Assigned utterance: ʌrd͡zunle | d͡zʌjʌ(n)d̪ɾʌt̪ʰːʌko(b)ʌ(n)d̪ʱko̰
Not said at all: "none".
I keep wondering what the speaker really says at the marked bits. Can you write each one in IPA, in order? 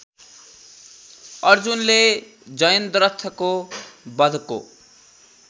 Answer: n, b, none

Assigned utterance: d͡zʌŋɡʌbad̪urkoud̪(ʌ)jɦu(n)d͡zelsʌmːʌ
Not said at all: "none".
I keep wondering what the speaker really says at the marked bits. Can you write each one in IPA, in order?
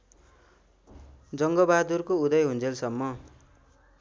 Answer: ʌ, n

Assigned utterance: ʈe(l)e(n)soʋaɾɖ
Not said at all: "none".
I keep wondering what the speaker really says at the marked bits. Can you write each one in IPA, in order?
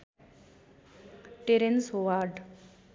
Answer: ɾ, n

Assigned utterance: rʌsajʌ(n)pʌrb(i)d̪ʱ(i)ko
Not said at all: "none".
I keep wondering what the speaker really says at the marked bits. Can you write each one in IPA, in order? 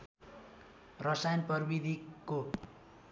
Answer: n, i, i

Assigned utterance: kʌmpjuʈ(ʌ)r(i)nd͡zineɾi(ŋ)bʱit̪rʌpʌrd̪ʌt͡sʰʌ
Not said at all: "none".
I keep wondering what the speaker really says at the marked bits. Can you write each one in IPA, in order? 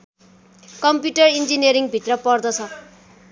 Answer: ʌ, i, ŋ

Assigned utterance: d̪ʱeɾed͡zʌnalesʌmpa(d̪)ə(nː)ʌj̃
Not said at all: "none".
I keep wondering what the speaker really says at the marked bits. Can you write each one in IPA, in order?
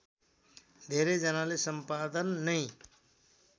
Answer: d̪, nː

